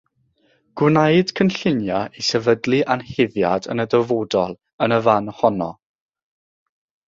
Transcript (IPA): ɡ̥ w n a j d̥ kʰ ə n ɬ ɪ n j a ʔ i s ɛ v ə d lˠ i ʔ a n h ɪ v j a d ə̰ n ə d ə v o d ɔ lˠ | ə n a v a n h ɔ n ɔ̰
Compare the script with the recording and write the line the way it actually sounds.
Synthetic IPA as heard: ɡ̥ w n a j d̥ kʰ ə n ɬ ɪ n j a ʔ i s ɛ v ə d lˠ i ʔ a n h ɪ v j a d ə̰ n ə d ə v o d ɔ lˠ | ə n ə v a n h ɔ n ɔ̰